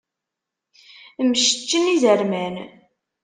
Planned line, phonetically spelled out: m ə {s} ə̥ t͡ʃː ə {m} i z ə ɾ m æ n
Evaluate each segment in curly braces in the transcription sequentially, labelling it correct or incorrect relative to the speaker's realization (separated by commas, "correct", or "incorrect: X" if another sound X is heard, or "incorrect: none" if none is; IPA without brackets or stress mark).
incorrect: ʃ, incorrect: n